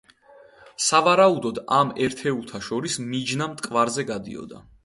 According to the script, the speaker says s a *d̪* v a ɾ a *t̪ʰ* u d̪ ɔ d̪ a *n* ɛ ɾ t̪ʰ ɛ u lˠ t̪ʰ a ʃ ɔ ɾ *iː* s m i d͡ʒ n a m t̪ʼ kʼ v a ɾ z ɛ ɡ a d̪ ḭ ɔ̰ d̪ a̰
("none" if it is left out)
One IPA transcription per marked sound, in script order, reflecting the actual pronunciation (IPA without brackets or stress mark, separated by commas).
none, none, m, i